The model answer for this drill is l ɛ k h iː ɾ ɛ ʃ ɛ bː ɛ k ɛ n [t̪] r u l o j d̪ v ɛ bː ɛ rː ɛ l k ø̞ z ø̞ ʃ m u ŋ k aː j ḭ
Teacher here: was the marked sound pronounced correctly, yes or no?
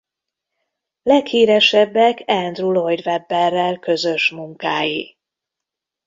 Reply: no